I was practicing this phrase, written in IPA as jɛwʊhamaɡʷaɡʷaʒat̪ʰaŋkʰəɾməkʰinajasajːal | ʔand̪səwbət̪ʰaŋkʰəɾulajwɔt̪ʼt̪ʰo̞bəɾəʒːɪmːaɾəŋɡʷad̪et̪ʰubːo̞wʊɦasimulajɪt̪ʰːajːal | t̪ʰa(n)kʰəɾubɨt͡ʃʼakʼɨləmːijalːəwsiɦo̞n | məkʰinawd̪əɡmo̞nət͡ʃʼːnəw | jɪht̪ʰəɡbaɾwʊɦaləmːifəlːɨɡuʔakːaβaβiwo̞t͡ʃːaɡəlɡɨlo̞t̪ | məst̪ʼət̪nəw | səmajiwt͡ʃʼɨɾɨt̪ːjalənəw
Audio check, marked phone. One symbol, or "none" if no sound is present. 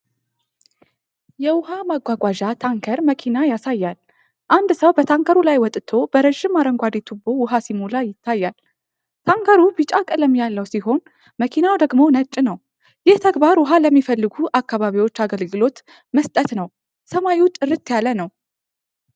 ŋ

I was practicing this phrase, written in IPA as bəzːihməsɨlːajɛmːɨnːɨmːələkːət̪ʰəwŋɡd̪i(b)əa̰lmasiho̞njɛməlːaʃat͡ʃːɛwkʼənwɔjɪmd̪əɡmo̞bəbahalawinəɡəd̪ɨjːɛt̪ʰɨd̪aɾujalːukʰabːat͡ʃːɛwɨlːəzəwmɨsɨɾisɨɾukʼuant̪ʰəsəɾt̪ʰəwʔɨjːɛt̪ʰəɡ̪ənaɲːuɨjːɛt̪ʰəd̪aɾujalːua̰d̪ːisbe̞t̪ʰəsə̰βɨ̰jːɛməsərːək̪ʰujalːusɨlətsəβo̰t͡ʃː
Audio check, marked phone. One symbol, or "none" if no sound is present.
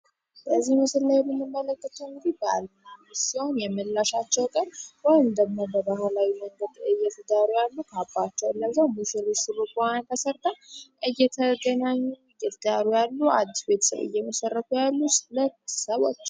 b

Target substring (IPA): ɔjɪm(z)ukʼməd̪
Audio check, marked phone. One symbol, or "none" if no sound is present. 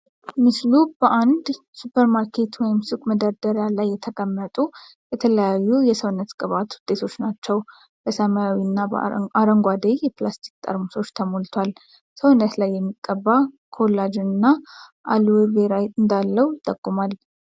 s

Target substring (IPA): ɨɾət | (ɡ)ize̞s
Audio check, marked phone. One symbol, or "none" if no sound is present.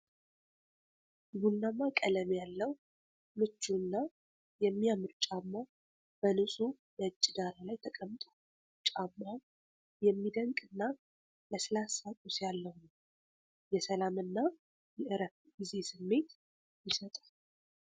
ɡ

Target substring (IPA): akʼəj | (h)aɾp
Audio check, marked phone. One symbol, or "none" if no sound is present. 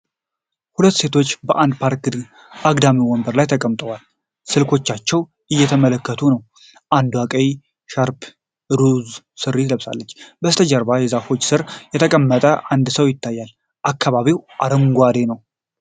ʃ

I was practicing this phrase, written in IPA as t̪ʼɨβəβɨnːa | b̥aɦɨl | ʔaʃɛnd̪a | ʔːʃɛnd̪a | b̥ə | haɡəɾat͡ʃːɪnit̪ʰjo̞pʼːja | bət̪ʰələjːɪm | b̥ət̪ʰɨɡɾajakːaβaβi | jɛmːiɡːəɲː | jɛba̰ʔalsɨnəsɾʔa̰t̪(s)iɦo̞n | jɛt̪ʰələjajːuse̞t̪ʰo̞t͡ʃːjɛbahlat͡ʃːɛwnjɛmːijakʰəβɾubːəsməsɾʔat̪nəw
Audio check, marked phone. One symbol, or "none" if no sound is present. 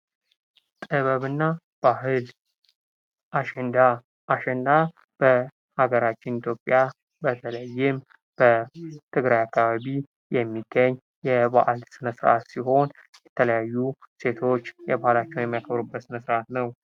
s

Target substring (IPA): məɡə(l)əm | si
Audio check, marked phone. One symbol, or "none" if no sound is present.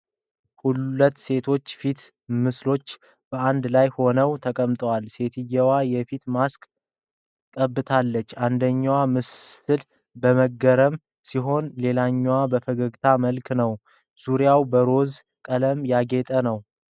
ɾ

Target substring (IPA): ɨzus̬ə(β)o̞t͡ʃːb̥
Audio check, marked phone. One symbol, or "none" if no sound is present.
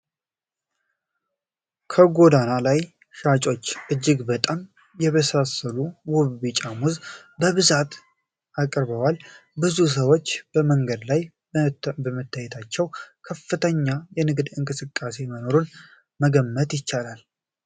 w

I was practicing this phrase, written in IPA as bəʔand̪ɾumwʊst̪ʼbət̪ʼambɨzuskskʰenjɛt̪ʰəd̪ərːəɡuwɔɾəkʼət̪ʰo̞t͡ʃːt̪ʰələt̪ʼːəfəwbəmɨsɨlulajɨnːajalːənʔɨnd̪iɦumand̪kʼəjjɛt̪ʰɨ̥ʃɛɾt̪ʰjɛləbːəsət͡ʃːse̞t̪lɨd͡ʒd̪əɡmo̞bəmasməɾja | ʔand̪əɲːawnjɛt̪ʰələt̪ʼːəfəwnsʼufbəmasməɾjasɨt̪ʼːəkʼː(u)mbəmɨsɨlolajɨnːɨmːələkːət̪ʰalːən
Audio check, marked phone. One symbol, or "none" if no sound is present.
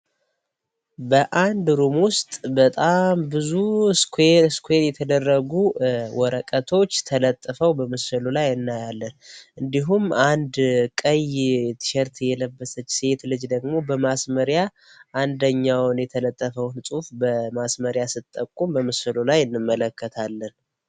u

